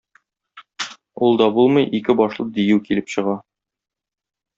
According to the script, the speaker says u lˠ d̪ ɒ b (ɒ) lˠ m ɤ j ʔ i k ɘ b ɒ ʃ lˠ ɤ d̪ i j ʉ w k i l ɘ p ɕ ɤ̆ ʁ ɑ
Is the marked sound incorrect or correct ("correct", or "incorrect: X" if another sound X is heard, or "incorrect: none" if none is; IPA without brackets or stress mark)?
incorrect: u